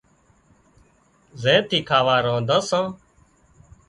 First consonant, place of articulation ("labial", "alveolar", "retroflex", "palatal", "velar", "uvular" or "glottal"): alveolar